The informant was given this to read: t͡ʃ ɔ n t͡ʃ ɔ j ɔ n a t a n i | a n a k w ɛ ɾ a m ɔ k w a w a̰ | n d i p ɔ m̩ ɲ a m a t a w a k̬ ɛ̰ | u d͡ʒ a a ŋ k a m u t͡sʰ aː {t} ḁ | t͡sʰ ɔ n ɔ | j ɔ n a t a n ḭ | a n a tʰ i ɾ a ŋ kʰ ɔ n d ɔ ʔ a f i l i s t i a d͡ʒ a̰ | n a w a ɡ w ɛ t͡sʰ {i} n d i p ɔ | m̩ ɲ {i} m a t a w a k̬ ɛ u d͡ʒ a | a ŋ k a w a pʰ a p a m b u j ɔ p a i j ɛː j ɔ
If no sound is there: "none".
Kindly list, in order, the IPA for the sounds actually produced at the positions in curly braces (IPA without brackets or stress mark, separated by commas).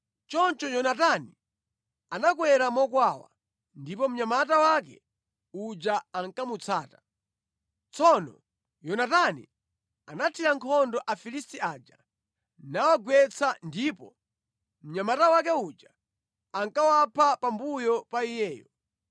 t, a, a